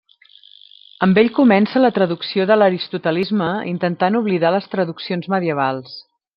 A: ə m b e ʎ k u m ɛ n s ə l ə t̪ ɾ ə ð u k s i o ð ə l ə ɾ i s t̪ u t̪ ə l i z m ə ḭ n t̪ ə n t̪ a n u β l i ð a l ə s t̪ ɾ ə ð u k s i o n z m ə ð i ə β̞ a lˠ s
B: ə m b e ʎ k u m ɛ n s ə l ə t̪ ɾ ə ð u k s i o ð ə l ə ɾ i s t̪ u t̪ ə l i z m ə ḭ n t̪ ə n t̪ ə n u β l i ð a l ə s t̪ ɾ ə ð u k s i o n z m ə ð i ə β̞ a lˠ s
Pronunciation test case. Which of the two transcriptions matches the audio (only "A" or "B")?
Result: A